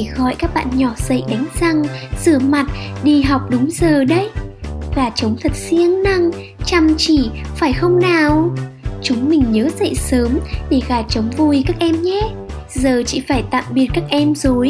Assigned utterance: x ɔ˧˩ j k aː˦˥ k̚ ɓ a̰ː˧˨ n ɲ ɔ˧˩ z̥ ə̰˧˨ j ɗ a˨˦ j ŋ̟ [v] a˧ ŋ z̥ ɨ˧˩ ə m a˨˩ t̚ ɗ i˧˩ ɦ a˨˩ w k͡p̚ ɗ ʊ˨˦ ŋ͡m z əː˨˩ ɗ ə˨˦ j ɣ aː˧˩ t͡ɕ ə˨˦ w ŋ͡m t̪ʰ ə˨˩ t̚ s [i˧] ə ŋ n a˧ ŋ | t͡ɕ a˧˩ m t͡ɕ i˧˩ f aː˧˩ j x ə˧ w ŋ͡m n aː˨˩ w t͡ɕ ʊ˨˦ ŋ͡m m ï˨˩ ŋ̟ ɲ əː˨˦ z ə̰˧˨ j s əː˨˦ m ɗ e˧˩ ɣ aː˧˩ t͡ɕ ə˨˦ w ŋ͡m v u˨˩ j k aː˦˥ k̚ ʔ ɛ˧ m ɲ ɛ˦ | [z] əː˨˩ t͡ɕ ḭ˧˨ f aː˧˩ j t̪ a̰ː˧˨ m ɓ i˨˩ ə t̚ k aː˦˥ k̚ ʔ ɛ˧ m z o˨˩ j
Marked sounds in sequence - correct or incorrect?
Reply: incorrect: z, correct, correct

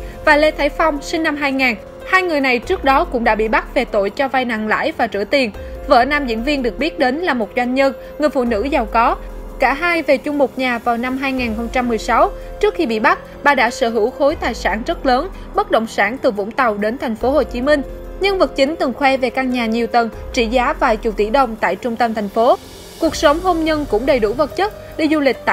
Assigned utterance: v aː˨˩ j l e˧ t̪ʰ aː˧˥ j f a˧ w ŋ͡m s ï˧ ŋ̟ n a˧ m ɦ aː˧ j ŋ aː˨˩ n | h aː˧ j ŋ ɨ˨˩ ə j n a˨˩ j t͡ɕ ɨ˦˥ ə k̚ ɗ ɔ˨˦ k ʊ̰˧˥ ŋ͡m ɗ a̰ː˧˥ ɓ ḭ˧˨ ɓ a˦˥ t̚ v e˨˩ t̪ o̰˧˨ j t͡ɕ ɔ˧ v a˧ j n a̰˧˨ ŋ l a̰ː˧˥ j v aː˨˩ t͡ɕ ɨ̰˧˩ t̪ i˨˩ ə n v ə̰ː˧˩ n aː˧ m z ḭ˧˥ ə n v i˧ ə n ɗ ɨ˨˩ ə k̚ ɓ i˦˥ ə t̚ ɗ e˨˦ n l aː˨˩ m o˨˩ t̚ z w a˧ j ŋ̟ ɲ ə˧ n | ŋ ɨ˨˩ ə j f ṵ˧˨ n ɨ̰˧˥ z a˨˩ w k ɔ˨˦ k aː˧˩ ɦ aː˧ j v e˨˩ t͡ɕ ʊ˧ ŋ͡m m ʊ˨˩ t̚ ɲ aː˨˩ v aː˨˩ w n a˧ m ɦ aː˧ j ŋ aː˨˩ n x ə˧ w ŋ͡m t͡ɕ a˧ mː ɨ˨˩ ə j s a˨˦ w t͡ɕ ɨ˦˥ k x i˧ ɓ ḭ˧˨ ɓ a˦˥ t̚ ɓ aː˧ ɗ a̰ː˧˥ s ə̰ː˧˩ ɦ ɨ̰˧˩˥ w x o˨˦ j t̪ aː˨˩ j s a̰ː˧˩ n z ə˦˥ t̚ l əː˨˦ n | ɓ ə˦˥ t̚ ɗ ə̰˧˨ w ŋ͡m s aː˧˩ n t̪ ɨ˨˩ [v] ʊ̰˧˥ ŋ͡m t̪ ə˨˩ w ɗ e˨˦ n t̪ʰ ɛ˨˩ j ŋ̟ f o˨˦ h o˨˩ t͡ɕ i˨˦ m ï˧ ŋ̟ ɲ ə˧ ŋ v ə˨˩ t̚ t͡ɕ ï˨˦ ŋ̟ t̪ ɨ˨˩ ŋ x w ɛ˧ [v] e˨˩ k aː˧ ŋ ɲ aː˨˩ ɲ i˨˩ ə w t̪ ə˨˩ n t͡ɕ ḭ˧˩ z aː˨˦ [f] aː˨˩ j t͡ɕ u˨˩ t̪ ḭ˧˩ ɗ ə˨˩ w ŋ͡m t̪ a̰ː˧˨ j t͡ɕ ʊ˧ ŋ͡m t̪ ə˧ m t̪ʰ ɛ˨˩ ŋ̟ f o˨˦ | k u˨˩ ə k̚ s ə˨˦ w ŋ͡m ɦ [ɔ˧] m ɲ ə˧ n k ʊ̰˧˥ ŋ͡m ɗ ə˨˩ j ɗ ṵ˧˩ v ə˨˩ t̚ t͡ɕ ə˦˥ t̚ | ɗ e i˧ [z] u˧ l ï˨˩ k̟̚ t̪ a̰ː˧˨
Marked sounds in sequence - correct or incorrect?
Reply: correct, correct, incorrect: v, incorrect: o˧, correct

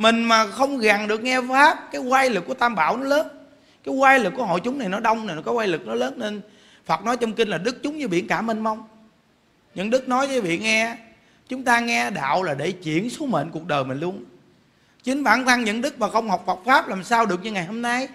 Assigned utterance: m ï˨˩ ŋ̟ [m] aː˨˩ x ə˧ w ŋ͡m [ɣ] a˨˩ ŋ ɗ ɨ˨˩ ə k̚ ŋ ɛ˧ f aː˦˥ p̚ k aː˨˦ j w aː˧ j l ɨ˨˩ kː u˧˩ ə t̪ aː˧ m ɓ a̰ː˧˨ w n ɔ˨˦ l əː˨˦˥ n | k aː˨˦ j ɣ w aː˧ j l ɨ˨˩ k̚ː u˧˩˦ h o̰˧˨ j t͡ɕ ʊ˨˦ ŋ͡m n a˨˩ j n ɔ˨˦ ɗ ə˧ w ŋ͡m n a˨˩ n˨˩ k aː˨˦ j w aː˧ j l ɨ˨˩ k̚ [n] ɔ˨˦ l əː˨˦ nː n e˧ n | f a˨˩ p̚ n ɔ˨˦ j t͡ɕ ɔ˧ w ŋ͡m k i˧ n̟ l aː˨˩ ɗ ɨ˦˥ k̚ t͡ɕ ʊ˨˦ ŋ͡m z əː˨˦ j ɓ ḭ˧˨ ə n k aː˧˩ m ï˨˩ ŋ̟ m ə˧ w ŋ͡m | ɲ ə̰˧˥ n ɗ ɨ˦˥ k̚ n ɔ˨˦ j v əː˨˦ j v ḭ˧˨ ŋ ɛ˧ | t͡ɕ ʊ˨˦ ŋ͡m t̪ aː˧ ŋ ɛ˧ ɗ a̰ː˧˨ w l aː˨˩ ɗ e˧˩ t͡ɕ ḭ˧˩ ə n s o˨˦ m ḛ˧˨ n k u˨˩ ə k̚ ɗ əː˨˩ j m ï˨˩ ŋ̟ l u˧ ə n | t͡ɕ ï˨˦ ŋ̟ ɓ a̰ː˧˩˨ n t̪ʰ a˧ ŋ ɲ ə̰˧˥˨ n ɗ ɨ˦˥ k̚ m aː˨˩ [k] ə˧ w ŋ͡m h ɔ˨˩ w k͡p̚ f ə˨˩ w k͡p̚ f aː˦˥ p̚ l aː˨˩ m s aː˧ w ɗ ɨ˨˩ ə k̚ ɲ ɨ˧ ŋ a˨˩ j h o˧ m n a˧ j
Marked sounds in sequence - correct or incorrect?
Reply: correct, correct, correct, incorrect: x

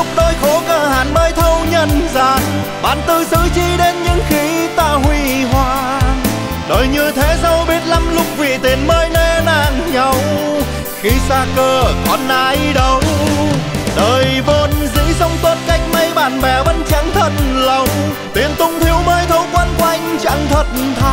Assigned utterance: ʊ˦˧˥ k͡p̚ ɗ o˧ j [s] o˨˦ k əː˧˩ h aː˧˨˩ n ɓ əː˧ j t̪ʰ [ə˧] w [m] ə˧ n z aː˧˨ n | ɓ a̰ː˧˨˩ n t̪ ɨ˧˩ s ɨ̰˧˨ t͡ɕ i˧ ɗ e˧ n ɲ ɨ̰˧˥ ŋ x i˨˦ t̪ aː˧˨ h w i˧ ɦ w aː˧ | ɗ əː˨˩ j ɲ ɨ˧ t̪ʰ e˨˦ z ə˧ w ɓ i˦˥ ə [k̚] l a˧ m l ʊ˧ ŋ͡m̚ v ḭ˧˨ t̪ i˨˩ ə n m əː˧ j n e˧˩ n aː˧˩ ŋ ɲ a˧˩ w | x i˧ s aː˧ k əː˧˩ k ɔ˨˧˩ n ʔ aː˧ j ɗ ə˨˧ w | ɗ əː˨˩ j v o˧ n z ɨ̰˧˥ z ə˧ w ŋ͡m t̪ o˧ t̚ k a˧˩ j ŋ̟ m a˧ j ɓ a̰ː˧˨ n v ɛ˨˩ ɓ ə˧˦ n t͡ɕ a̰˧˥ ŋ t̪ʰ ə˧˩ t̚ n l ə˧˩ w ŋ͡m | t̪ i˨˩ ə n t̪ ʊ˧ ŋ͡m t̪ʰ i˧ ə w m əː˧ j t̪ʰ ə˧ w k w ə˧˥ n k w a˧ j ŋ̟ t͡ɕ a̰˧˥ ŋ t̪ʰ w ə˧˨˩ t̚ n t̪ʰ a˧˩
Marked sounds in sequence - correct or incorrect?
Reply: incorrect: x, correct, incorrect: ɲ, incorrect: t̚

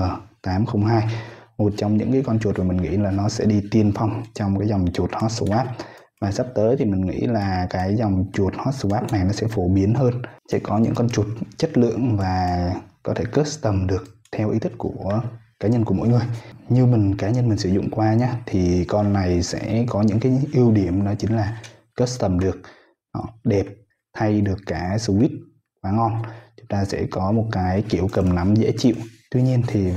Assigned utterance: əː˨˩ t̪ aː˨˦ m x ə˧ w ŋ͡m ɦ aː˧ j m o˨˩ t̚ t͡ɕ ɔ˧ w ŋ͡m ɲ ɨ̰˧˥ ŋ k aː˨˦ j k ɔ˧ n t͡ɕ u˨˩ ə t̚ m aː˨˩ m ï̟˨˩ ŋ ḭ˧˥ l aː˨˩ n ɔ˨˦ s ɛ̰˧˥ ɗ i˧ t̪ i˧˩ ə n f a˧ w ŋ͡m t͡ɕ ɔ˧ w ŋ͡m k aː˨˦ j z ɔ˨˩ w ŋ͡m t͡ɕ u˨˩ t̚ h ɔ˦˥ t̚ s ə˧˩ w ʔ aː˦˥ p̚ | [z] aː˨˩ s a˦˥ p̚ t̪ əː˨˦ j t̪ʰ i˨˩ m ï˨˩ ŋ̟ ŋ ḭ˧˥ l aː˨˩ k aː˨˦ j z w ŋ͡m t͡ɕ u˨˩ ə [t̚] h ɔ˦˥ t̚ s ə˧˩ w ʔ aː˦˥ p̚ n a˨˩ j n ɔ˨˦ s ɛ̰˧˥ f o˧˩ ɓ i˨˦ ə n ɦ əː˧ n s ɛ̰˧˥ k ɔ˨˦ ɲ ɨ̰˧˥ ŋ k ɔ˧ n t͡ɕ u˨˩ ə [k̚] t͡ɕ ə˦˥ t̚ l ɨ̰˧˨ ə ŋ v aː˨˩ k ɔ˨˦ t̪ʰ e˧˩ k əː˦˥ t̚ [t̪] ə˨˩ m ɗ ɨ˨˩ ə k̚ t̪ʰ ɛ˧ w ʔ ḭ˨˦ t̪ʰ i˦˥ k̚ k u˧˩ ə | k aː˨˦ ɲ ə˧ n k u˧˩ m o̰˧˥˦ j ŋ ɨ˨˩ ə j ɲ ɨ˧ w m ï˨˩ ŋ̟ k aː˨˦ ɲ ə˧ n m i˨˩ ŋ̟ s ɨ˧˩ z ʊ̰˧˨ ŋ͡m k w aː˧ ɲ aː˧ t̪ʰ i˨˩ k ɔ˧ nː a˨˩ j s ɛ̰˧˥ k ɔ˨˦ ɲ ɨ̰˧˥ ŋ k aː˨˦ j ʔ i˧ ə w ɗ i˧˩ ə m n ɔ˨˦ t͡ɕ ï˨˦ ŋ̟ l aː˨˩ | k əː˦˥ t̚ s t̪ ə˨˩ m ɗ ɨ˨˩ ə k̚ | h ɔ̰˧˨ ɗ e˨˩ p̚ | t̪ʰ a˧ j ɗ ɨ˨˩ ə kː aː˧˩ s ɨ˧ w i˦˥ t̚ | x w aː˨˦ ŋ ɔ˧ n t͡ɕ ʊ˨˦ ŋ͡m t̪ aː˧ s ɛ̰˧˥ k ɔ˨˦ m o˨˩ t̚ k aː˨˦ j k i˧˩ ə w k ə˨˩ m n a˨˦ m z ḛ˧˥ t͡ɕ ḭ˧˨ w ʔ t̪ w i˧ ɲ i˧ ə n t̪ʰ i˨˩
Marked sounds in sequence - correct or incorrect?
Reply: incorrect: v, correct, incorrect: t̚, correct

